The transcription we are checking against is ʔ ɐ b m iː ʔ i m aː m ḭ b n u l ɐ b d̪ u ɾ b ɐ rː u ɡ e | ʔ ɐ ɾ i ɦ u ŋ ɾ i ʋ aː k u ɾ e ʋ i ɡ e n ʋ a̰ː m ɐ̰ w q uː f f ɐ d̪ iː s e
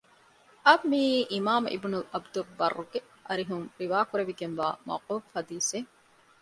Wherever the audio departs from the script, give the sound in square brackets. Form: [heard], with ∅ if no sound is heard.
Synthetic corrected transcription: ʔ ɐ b m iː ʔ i m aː m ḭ b n u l ɐ b d̪ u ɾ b ɐ rː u ɡ e | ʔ ɐ ɾ i ɦ u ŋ ɾ i ʋ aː k u ɾ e ʋ i ɡ e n ʋ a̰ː m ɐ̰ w q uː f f ɐ d̪ iː s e